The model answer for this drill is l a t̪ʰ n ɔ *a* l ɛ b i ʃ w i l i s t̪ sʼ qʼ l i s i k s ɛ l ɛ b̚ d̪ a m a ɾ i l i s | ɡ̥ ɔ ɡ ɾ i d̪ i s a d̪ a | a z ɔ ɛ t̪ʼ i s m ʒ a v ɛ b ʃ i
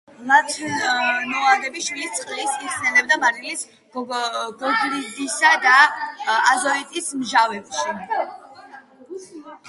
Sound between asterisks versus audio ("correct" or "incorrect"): correct